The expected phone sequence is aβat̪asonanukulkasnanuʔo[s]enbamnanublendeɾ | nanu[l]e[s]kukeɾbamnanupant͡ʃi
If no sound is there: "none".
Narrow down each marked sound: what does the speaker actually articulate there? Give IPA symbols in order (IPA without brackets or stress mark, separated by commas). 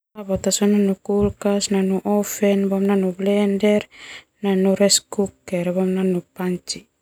f, ɾ, s